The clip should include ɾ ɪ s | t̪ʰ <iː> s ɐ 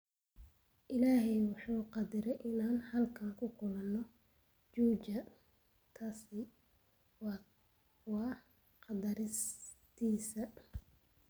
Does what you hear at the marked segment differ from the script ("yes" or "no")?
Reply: no